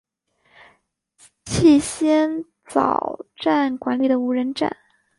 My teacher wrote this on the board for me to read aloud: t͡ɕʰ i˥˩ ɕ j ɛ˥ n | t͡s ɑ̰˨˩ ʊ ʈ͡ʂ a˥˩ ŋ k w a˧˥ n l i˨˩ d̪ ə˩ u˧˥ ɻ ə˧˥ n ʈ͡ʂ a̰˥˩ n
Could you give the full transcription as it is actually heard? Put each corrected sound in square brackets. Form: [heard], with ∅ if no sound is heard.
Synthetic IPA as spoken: t͡ɕʰ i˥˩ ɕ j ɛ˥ n | t͡s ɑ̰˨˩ ʊ ʈ͡ʂ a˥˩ [n] k w a˧˥ n l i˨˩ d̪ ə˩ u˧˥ ɻ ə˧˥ n ʈ͡ʂ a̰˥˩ n